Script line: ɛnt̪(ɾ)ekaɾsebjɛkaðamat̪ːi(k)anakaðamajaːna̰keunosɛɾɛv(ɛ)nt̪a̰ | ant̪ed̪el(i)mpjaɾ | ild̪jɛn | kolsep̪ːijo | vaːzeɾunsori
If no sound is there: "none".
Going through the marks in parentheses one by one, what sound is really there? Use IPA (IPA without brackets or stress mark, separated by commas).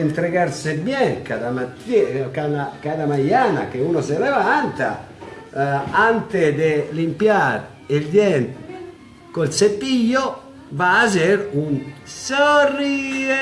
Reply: ɾ, k, a, i